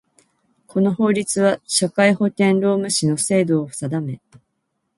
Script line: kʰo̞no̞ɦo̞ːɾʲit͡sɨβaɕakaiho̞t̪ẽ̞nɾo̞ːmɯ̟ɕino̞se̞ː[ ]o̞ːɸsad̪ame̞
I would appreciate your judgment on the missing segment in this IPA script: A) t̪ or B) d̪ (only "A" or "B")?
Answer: B